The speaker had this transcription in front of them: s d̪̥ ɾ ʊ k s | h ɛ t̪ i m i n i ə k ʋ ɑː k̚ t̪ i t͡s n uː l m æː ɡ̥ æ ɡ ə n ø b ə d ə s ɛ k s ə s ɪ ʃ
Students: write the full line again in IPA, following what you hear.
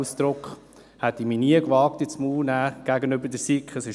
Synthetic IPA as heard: s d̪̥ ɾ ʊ k χ | h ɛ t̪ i m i n i ə k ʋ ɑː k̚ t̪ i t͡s m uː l n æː ɡ̥ æ ɡ ə n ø b ə d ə s i k χ ə s ɪ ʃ